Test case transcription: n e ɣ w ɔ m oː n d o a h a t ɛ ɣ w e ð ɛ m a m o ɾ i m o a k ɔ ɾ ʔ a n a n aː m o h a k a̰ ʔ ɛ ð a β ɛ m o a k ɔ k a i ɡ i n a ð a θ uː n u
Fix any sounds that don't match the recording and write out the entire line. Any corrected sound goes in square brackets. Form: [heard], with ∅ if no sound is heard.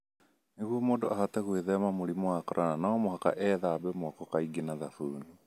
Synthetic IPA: n e ɣ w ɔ m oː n d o a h a t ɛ ɣ w e ð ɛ m a m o ɾ i m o a k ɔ ɾ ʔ a n a n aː m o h a k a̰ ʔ ɛ ð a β ɛ m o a k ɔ k a i ɡ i n a ð a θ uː n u